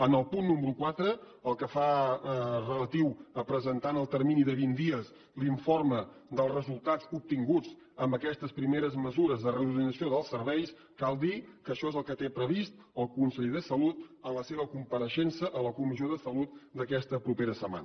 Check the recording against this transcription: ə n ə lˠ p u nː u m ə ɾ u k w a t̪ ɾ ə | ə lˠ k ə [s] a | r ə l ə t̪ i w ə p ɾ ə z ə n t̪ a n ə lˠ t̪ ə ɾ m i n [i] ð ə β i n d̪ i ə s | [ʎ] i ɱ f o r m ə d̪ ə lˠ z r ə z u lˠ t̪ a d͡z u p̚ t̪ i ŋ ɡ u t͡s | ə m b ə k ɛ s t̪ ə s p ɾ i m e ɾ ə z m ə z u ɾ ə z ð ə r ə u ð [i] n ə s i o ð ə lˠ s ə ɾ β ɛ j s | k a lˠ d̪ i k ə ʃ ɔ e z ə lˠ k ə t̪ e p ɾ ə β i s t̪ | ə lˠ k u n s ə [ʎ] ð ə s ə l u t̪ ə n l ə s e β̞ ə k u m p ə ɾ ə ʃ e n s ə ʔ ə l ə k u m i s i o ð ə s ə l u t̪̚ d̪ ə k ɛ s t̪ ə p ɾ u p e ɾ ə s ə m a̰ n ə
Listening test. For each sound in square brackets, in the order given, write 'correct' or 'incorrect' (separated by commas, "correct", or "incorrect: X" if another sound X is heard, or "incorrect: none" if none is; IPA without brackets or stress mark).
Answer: incorrect: f, correct, incorrect: l, correct, correct